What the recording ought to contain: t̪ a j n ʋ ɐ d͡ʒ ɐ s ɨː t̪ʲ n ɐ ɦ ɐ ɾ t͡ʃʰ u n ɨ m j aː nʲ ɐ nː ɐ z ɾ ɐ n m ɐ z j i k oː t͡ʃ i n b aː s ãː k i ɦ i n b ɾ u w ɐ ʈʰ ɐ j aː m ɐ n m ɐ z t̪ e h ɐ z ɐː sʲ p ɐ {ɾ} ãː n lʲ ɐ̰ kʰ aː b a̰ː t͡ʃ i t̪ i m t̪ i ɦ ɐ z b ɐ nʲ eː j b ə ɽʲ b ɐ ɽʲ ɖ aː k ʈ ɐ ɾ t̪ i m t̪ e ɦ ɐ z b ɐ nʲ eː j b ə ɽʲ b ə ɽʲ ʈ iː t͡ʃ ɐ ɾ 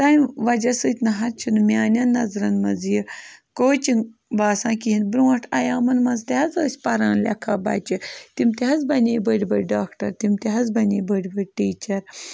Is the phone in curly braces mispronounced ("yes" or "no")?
no